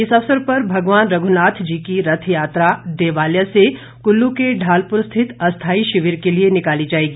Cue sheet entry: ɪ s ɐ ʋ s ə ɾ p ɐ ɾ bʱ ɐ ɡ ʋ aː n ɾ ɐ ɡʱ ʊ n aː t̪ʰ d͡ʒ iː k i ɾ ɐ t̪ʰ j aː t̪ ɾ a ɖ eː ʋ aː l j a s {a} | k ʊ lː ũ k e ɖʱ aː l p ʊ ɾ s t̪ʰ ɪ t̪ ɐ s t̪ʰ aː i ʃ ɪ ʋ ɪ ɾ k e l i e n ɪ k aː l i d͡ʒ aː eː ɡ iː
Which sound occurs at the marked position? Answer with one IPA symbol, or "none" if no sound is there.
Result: e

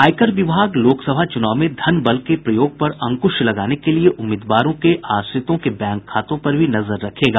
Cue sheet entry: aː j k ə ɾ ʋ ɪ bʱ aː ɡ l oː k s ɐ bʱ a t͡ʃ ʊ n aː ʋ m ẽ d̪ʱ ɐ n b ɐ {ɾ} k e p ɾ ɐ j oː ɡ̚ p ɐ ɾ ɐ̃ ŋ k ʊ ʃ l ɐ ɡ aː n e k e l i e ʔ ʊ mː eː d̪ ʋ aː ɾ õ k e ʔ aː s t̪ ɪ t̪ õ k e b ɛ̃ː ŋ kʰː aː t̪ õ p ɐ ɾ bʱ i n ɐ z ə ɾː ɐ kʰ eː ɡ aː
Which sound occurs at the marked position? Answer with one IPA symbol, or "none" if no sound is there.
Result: l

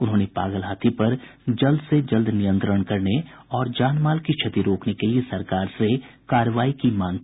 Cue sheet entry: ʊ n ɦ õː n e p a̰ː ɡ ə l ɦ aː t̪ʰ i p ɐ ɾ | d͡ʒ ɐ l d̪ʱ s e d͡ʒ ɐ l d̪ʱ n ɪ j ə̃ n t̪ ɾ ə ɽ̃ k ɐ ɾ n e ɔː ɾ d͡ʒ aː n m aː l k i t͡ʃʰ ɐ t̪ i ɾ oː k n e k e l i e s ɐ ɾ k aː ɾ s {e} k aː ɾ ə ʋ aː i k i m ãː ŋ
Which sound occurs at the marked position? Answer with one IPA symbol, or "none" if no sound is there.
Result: e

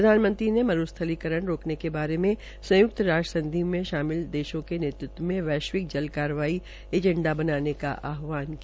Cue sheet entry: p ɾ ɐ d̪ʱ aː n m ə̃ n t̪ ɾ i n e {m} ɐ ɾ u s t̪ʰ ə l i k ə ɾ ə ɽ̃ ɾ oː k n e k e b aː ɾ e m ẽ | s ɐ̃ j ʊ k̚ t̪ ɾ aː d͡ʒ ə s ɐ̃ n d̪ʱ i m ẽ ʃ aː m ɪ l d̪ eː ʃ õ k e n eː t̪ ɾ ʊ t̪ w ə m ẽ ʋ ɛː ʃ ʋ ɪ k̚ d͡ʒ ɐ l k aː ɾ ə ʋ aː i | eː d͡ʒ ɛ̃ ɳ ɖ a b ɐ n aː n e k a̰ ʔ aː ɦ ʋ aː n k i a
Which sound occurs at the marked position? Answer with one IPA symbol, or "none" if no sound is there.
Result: m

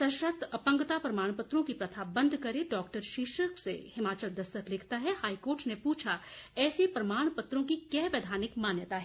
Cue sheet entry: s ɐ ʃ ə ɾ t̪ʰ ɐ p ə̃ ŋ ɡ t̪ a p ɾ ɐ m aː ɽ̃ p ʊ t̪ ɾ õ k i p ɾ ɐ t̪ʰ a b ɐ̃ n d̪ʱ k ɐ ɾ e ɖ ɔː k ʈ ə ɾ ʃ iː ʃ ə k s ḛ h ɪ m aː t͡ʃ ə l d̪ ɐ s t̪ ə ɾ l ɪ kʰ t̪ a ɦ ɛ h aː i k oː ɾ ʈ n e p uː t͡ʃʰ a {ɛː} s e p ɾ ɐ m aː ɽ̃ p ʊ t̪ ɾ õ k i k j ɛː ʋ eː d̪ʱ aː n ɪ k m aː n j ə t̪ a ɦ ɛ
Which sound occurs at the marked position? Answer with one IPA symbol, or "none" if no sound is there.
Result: ɛː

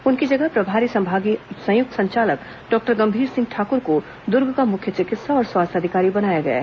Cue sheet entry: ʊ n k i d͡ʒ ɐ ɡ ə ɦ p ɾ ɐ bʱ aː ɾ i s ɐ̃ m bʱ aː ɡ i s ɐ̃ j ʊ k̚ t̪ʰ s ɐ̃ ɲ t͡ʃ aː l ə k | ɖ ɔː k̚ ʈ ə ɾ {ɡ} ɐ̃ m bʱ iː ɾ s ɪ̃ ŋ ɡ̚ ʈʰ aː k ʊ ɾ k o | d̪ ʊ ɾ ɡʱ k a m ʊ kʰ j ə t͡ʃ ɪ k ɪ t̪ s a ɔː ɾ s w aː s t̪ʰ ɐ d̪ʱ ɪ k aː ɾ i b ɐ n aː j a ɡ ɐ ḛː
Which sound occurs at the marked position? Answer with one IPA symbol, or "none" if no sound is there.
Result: ɡ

